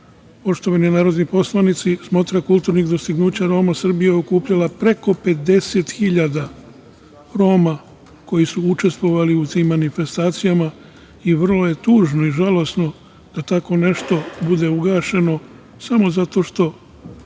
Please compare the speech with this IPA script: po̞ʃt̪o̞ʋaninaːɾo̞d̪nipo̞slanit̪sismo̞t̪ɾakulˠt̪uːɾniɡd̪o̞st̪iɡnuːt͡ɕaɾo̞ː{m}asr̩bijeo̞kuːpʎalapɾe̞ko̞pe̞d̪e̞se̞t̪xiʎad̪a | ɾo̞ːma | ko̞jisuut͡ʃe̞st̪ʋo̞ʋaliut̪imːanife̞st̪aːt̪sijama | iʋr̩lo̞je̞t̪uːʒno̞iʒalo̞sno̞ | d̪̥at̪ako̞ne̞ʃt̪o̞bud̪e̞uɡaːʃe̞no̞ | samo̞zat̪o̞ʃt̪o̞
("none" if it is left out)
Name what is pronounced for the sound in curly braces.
m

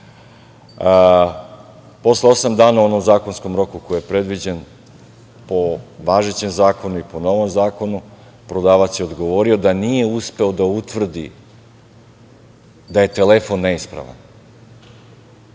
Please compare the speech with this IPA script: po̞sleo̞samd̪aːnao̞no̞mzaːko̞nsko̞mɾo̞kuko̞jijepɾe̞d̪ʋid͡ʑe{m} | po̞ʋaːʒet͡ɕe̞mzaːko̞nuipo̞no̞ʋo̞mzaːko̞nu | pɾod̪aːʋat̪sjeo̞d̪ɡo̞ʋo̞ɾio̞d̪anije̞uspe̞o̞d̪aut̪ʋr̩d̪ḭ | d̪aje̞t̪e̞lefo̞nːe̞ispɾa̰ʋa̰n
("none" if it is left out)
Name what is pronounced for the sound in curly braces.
n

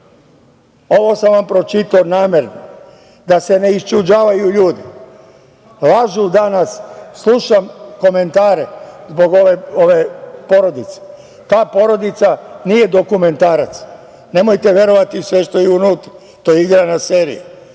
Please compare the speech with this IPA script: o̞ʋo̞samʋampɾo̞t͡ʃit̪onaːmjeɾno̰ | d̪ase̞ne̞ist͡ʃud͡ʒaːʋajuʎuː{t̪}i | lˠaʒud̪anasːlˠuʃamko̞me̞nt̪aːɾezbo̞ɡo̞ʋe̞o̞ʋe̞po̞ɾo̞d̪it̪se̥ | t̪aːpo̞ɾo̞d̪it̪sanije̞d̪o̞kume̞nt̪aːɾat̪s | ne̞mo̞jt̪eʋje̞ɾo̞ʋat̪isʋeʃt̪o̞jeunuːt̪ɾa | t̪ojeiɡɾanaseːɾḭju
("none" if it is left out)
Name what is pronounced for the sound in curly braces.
d̪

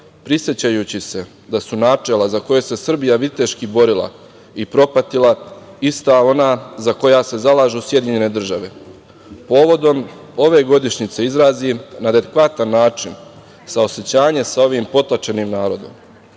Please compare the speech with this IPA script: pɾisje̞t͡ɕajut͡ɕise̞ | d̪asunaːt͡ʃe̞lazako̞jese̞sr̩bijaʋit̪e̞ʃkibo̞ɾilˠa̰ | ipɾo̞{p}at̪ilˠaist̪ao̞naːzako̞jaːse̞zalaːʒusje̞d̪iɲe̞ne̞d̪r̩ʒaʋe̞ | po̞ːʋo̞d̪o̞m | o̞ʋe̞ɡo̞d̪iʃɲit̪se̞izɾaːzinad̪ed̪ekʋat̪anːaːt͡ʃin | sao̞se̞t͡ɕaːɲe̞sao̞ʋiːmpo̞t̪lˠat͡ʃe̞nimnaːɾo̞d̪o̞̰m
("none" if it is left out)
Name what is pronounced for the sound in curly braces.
p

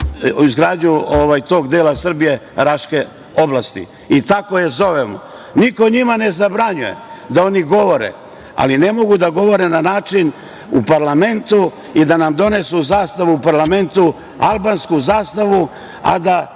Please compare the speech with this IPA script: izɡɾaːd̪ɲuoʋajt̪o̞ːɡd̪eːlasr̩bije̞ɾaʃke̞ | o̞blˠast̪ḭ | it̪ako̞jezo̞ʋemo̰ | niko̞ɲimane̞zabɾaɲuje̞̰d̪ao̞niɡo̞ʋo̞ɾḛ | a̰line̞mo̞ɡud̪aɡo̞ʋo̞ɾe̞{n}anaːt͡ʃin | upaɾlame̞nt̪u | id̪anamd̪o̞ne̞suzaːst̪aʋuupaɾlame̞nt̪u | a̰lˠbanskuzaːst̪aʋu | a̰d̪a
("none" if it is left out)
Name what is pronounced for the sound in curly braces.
n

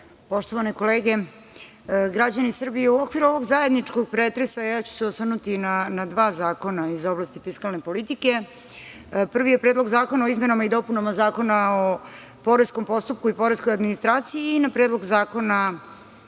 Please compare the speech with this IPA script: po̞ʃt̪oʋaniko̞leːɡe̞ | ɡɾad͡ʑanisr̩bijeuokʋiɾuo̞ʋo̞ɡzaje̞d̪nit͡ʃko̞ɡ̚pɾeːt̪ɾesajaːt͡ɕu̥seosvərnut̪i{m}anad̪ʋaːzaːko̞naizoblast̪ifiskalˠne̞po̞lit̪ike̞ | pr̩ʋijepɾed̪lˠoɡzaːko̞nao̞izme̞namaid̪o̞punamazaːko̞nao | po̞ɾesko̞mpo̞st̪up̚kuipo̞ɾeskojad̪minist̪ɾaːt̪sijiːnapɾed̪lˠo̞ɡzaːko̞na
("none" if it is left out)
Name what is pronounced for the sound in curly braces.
n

